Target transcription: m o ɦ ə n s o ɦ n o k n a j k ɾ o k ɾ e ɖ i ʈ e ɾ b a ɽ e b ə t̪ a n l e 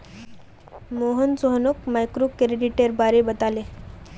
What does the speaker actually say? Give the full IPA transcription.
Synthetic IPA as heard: m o ɦ ə n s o ɦ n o k m a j k ɾ o k ɾ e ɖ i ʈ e ɾ b a ɾ e b ə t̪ a l e